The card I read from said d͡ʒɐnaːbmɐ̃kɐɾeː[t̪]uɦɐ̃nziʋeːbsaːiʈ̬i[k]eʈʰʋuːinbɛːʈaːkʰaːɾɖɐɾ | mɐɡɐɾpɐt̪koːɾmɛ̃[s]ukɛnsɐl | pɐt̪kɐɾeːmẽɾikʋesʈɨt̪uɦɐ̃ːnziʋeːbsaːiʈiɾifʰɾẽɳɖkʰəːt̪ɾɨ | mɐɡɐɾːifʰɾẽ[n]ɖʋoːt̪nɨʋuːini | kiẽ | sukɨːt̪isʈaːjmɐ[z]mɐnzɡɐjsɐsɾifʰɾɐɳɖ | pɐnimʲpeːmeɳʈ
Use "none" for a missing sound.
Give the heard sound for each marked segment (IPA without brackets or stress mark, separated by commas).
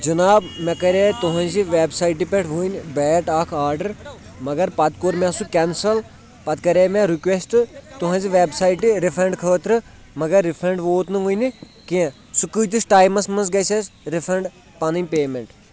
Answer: t̪, p, s, ɳ, s